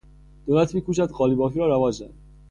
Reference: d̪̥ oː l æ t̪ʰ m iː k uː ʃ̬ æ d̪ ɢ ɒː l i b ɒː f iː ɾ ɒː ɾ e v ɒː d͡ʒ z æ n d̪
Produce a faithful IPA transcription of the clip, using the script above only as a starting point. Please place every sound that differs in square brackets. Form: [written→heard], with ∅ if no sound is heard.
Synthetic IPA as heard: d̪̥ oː l æ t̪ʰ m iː k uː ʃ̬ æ d̪ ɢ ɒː l i b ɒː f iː ɾ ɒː ɾ [e→æ] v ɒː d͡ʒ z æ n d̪